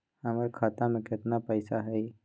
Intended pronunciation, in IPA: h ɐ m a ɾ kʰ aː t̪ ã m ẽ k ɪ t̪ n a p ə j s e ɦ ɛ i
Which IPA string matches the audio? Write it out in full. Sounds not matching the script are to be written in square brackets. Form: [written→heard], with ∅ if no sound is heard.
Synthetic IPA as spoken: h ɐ m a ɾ kʰ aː t̪ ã m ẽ k ɪ t̪ n a p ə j s [e→a] ɦ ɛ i